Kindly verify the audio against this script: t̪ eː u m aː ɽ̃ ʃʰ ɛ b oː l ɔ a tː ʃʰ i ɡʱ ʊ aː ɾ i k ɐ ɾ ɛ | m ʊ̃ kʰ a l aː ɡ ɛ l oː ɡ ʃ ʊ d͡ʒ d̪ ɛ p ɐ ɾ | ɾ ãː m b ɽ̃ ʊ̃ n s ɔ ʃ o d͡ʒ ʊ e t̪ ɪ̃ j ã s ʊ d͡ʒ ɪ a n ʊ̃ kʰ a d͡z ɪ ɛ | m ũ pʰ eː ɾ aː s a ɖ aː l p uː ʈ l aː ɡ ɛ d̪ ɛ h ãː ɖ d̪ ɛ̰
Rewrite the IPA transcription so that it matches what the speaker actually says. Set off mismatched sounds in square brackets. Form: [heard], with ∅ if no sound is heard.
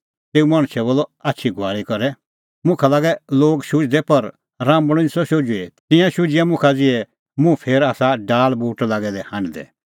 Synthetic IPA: t̪ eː u m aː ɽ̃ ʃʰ ɛ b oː l ɔ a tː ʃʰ i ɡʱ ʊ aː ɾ i k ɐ ɾ ɛ | m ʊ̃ kʰ a l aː ɡ ɛ l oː ɡ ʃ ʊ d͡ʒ d̪ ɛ p ɐ ɾ | ɾ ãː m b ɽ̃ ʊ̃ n s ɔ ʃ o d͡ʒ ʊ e t̪ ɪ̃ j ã [ʃ] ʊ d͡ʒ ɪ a [m] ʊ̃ kʰ a d͡z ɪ ɛ | m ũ pʰ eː ɾ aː s a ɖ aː l [b] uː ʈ l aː ɡ ɛ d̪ ɛ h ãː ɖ d̪ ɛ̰